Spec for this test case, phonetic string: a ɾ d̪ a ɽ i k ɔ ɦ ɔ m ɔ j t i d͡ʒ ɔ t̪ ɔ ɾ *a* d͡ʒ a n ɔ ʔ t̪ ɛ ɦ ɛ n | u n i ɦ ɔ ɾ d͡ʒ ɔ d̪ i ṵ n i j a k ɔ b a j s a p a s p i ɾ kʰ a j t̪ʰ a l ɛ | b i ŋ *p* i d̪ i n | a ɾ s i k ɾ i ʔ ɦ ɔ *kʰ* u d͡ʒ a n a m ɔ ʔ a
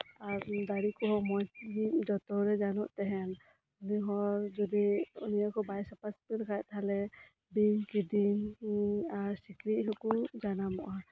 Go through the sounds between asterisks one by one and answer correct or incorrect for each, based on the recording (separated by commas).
incorrect, incorrect, incorrect